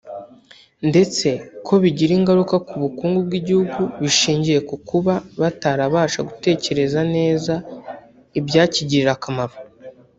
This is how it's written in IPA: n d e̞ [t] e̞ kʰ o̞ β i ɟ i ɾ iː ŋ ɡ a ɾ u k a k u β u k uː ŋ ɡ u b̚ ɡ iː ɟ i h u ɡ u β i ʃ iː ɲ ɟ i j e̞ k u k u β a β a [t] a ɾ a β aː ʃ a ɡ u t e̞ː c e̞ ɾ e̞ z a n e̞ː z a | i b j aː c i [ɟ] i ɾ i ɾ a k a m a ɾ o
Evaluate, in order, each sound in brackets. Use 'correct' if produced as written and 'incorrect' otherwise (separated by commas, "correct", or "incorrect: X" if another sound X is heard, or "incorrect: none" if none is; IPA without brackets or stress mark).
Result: incorrect: t͡s, correct, correct